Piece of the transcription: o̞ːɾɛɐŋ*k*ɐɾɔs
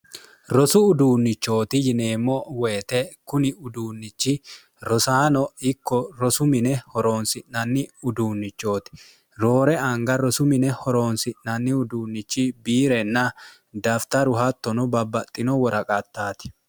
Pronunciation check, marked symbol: incorrect: ɡ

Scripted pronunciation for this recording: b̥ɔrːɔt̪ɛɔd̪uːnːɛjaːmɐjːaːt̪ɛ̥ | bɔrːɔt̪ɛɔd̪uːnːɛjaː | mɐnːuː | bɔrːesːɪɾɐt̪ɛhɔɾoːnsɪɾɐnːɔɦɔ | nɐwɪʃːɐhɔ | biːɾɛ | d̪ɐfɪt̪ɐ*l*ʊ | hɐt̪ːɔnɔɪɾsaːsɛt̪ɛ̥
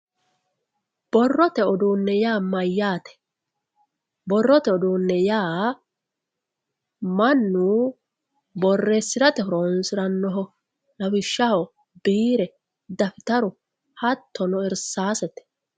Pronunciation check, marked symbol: incorrect: ɾ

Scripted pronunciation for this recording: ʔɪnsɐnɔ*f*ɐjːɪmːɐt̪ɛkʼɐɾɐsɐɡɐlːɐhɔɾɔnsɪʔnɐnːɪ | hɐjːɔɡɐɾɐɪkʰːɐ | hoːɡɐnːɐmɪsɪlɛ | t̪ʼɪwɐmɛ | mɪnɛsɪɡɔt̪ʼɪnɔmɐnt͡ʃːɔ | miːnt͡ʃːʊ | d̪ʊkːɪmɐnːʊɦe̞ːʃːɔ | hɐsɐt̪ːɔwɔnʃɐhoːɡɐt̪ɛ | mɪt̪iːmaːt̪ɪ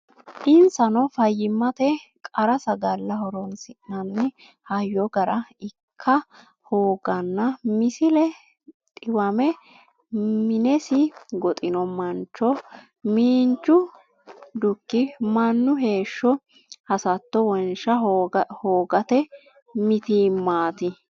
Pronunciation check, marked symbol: correct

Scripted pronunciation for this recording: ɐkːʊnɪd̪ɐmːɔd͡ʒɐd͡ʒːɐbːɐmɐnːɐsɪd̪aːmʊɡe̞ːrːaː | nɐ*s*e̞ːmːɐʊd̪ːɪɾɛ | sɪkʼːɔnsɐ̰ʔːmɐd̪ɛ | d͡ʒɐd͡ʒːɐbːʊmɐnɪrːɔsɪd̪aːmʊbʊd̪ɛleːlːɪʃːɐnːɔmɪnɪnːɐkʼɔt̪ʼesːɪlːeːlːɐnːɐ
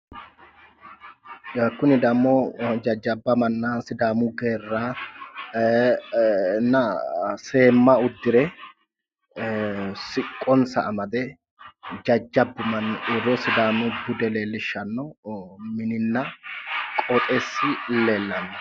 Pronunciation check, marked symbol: correct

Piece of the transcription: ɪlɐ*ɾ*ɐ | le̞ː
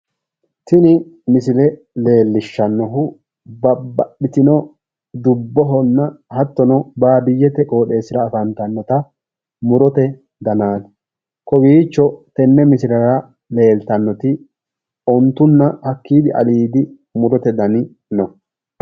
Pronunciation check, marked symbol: correct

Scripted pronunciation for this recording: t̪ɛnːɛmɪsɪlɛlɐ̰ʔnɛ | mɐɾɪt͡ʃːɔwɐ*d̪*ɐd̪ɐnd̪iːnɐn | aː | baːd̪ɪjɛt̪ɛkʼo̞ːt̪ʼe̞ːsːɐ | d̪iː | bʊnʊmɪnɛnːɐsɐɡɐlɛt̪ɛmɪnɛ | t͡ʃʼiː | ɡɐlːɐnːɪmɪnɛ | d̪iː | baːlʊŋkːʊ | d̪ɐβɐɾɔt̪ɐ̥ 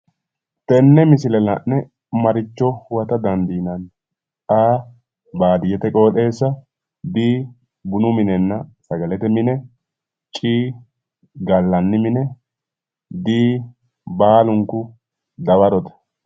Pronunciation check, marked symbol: incorrect: t̪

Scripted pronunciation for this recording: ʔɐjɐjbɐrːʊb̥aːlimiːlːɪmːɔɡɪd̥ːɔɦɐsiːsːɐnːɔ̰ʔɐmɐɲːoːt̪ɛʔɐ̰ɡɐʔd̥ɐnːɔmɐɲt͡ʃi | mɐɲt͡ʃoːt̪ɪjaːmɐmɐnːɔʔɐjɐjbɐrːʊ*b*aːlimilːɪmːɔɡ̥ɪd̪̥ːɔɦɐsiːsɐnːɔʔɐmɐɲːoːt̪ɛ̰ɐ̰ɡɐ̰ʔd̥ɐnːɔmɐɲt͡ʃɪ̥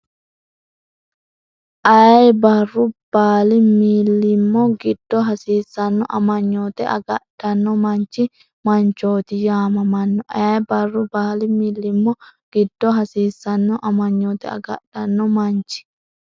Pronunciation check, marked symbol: correct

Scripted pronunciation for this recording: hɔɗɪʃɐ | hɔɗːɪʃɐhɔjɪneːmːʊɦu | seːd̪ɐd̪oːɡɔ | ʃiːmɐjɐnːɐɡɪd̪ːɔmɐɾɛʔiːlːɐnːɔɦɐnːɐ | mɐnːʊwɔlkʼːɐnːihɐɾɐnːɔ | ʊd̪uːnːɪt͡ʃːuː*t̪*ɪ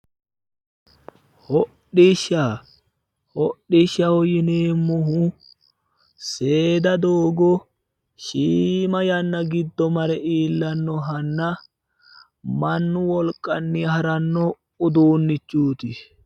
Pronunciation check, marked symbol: correct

